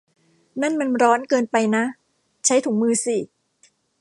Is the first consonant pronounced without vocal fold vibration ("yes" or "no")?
no